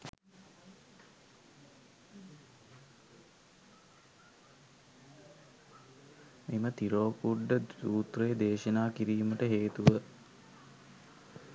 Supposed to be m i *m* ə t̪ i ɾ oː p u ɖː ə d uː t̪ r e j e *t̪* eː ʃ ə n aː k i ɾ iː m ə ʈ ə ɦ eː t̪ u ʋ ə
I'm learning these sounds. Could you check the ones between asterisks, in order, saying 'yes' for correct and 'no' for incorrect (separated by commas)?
yes, no